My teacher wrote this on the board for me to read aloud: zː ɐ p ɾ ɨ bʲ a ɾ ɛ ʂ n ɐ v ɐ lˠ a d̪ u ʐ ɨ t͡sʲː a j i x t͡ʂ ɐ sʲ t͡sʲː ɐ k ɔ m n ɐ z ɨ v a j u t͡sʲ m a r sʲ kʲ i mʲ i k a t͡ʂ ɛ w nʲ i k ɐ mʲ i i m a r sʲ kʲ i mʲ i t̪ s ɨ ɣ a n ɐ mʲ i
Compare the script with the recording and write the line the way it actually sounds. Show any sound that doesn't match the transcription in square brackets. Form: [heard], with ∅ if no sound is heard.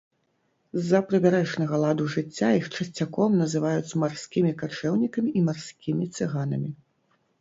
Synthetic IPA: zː ɐ p ɾ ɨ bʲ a ɾ ɛ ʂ n ɐ [ɣ] ɐ lˠ a d̪ u ʐ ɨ t͡sʲː a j i x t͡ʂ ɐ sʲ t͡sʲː [a] k ɔ m n ɐ z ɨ v a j u t͡sʲ m a r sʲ kʲ i mʲ i k a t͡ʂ ɛ w nʲ i k ɐ mʲ i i m a r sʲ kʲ i mʲ i t̪ s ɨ ɣ a n ɐ mʲ i